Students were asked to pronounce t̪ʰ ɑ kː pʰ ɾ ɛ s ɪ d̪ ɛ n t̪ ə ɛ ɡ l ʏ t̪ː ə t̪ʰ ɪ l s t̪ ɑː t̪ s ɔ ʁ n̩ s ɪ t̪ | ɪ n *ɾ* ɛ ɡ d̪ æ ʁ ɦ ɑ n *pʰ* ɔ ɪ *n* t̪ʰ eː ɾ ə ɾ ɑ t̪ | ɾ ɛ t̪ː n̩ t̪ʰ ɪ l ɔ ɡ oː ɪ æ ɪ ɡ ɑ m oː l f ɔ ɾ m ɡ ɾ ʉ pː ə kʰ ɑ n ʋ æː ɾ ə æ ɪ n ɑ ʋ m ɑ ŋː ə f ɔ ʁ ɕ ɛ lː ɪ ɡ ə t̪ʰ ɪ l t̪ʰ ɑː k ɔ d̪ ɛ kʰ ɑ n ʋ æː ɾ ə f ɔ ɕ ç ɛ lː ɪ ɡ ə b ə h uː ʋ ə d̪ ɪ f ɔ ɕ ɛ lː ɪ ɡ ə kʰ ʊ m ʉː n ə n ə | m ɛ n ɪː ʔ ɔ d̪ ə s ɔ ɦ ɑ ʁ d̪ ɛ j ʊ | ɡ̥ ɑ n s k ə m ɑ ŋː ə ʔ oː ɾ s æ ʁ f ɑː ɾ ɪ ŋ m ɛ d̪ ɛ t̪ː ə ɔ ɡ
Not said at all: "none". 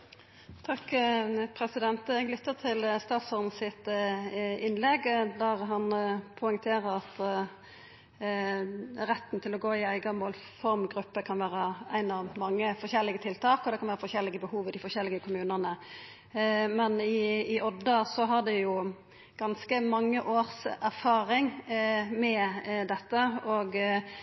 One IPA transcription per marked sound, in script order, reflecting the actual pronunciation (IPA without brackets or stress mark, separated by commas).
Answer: l, pʰ, ŋ